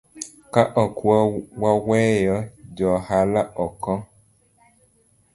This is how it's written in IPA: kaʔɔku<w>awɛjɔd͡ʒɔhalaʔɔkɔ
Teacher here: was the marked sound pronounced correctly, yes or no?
yes